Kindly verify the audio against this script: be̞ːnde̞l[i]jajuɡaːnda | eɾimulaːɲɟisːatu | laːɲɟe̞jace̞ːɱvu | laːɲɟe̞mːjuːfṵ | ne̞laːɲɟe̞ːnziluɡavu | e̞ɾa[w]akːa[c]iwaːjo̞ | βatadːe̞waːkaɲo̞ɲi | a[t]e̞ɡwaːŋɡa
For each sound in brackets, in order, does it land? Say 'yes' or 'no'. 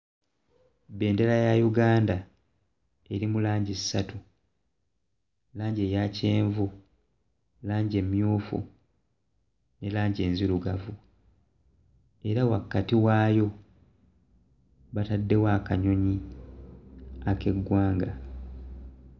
no, yes, no, no

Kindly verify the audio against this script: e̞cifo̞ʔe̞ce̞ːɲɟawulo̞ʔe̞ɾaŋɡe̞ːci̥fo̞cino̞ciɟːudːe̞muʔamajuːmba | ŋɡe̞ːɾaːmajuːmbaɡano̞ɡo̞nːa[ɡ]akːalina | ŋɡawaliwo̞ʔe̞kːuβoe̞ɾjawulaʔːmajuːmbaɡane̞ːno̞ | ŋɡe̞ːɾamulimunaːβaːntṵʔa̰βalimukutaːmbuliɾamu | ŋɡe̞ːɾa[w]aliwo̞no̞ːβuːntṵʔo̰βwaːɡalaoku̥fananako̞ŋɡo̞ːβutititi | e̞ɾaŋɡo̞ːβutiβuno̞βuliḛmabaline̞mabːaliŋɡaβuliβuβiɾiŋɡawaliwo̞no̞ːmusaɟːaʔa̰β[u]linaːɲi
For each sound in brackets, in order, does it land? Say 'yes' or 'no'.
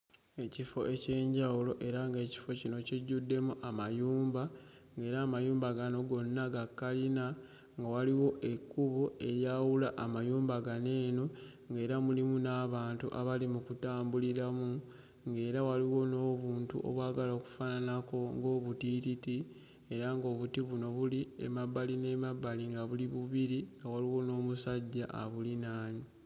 yes, yes, yes

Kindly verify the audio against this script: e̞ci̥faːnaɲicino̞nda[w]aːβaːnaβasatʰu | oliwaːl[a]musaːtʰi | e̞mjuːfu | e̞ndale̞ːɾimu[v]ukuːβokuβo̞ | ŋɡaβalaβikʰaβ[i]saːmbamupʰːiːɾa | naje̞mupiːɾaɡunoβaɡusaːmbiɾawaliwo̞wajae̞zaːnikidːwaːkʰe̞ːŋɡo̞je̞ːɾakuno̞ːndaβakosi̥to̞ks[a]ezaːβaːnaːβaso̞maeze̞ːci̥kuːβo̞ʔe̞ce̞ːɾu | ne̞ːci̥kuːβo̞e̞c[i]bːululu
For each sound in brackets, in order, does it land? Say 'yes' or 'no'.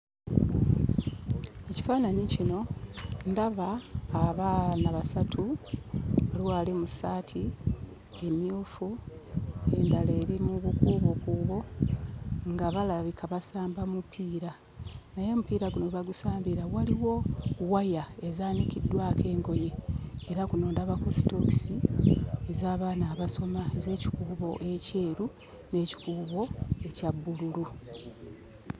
no, no, no, no, no, no

